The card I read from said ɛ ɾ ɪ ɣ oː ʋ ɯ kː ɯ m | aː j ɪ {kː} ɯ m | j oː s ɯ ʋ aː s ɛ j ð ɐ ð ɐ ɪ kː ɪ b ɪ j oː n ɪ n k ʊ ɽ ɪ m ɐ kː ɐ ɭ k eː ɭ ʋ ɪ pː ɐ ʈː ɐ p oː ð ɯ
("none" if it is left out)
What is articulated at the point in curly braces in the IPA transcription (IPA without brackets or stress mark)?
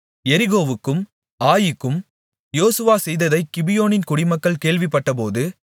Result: kː